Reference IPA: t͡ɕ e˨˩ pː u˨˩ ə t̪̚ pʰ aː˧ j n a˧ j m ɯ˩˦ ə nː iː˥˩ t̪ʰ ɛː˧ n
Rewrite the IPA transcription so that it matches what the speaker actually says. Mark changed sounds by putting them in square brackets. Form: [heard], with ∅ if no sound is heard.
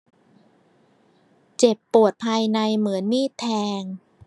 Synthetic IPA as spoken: t͡ɕ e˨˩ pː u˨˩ ə t̪̚ pʰ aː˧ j n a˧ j m ɯ˩˦ ə nː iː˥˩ t̪ʰ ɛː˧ [ŋ]